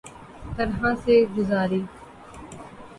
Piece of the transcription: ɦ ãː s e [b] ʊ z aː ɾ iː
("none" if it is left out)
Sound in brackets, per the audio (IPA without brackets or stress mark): ɡ